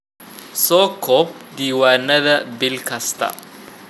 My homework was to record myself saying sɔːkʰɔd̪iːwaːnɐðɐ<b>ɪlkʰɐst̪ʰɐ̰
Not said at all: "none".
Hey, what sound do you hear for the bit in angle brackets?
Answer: b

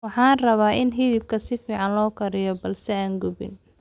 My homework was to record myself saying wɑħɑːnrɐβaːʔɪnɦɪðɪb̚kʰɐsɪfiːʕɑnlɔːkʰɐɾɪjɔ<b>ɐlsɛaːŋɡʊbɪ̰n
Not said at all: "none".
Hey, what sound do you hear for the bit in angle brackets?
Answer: b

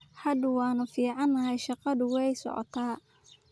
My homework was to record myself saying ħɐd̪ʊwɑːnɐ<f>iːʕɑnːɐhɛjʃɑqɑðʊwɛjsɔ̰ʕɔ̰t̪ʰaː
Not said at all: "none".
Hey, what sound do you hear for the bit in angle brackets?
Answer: f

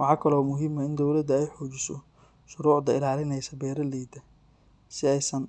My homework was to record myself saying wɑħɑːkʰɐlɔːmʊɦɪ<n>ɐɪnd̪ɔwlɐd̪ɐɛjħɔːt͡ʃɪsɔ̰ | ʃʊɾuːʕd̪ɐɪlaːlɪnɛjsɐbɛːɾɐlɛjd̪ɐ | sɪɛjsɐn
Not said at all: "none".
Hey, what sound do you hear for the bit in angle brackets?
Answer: m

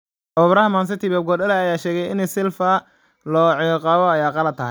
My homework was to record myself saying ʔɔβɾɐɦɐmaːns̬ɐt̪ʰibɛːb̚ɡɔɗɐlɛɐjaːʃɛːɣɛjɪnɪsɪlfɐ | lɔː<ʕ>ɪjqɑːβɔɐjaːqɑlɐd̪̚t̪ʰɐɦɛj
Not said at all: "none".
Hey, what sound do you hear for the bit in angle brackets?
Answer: ʕ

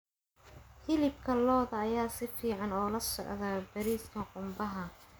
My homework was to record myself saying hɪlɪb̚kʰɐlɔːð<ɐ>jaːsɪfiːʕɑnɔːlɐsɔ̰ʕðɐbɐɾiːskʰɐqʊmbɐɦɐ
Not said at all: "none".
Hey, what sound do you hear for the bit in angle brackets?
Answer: ɐː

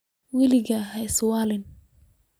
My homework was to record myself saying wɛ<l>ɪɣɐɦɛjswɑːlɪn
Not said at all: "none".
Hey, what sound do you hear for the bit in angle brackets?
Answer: l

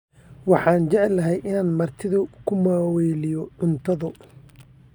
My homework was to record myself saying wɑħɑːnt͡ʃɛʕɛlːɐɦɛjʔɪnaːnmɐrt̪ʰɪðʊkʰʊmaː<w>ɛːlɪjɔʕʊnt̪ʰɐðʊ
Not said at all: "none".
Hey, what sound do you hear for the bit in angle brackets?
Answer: w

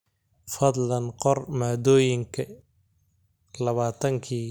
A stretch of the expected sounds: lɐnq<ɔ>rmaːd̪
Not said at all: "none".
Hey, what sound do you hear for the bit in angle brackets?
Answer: ɔ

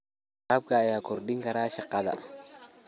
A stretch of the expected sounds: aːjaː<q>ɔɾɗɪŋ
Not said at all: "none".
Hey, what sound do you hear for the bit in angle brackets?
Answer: k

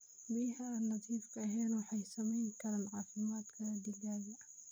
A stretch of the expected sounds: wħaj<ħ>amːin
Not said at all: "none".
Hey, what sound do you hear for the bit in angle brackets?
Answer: s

